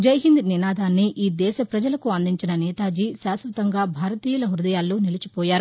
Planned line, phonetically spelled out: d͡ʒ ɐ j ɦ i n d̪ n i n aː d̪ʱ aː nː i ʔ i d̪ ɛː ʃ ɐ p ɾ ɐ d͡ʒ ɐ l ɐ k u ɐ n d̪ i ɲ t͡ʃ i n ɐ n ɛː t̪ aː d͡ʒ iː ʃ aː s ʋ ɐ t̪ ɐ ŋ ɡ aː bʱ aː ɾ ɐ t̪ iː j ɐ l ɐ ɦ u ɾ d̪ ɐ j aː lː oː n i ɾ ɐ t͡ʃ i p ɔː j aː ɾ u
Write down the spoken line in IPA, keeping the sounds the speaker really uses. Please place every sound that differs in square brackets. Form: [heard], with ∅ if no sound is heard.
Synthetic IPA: d͡ʒ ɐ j ɦ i n d̪ n i n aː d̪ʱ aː nː i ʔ [iː] d̪ ɛː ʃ ɐ p ɾ ɐ d͡ʒ ɐ l ɐ k u ɐ n d̪ i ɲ t͡ʃ i n ɐ n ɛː t̪ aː d͡ʒ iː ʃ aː s ʋ ɐ t̪ ɐ ŋ ɡ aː bʱ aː ɾ ɐ t̪ iː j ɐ l ɐ ɦ u ɾ d̪ ɐ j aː lː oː n i [l] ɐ t͡ʃ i p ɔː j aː ɾ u